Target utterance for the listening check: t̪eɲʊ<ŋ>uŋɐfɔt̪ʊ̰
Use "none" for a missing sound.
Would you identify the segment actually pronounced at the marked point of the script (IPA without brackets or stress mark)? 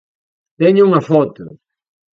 none